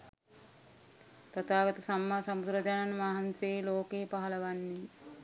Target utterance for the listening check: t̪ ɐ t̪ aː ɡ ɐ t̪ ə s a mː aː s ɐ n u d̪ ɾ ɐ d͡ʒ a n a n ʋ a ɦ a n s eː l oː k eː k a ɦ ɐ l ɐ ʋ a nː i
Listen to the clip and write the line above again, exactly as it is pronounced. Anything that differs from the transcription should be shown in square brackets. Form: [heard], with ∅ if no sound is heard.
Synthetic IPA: t̪ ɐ t̪ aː ɡ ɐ t̪ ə s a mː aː s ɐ [m] u d̪ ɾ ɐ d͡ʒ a n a n ʋ a ɦ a n s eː l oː k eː [p] a ɦ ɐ l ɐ ʋ a nː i